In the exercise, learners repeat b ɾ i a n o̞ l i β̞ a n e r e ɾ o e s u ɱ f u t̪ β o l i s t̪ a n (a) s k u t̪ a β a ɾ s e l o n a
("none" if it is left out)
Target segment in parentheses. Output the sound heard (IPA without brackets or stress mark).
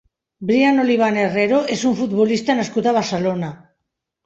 a